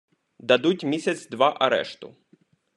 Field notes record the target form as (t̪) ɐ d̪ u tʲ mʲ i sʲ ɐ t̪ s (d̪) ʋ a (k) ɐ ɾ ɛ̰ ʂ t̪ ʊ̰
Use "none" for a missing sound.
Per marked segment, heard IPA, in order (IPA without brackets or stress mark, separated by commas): d̪, d̪, ʔ